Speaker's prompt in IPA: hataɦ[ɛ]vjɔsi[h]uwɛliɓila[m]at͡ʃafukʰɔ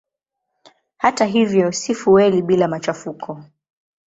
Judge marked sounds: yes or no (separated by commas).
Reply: no, no, yes